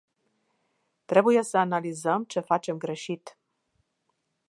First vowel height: mid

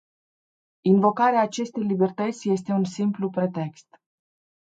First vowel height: high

